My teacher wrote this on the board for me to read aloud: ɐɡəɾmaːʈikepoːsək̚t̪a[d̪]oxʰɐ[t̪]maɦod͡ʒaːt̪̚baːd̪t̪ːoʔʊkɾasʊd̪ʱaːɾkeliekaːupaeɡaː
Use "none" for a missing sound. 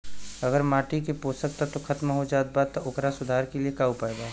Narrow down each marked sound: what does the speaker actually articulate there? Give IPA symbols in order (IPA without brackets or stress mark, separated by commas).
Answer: t̪, t̪